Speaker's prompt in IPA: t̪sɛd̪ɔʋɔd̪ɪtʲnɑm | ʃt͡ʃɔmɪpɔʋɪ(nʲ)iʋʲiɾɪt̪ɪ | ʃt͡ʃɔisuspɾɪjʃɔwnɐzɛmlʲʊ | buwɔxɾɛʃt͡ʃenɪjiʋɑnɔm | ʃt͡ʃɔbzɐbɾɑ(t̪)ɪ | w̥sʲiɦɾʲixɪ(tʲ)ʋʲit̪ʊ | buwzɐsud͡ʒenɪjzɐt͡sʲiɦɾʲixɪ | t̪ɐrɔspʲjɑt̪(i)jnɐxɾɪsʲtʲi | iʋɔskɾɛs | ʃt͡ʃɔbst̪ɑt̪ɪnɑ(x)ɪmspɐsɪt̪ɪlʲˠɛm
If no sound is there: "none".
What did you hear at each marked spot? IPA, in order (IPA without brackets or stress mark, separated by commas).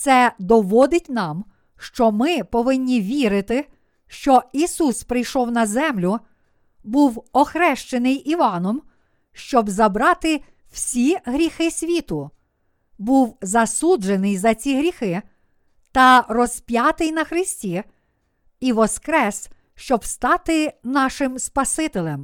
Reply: nʲː, t̪, sʲ, ɪ, ʃ